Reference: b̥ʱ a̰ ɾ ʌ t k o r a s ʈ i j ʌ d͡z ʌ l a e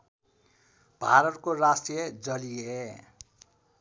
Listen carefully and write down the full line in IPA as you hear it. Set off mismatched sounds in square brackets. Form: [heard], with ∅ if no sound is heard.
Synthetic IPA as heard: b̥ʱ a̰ ɾ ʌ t k o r a s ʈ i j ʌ d͡z ʌ l [i] e